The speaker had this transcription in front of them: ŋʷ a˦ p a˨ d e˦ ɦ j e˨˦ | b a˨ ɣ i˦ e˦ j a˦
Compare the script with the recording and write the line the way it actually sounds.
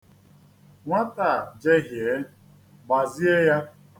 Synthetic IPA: ŋʷ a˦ t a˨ d͡ʒ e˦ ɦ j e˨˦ | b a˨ z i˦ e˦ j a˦